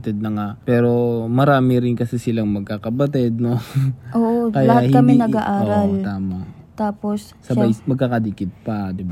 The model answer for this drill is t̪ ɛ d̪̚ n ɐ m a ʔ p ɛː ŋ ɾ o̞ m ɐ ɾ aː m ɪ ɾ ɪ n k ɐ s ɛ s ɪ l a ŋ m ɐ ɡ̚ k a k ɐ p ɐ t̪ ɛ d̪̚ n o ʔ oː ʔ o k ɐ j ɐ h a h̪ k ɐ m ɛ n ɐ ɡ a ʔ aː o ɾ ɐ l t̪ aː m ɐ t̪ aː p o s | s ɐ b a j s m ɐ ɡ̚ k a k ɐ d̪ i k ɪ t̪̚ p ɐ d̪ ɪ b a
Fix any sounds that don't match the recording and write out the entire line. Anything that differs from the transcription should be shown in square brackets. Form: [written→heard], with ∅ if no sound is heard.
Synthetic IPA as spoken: t̪ ɛ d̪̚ n ɐ [m→ŋ] a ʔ p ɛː [ŋ→∅] ɾ o̞ m ɐ ɾ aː m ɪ ɾ ɪ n k ɐ s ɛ s ɪ l a ŋ m ɐ ɡ̚ k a k ɐ [p→b] ɐ t̪ ɛ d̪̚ n o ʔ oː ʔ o k ɐ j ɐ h a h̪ k ɐ m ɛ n ɐ ɡ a ʔ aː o ɾ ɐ l t̪ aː m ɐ t̪ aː p o s | s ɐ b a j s m ɐ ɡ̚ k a k ɐ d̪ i k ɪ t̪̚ p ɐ d̪ ɪ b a